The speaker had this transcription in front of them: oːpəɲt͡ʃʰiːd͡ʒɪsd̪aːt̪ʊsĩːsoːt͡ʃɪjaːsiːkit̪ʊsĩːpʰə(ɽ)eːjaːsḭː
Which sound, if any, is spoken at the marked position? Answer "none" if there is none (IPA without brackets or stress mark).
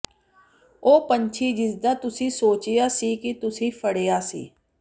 ɽ